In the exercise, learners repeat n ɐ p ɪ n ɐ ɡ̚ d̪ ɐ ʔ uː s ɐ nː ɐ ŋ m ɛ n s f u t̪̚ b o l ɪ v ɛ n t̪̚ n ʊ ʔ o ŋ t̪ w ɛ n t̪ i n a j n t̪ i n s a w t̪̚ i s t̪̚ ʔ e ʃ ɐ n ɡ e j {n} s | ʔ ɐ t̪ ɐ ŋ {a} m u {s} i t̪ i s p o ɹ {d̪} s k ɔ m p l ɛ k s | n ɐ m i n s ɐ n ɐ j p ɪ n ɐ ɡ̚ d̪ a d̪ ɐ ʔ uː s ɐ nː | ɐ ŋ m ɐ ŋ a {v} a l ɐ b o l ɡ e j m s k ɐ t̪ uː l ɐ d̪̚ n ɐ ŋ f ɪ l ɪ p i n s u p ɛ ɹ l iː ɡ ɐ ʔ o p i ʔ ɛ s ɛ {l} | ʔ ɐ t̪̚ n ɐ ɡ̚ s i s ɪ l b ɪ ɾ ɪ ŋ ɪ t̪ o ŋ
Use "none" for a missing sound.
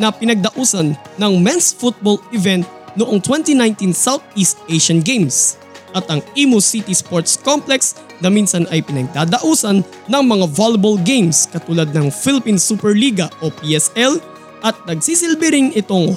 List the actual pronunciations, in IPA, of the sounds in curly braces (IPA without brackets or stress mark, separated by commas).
m, i, s, t̪, v, l